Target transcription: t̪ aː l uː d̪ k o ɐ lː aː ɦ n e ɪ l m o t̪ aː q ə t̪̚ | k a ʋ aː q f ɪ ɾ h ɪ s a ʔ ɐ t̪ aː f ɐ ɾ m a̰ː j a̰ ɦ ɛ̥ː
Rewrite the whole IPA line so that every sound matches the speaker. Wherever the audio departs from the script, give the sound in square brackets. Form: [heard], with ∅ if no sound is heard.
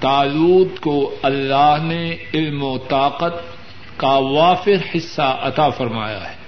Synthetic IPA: t̪ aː l uː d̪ k o ɐ lː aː ɦ n e ɪ l m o t̪ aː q ə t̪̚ | k a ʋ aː [∅] f ɪ ɾ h ɪ [sː] a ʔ ɐ t̪ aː f ɐ ɾ m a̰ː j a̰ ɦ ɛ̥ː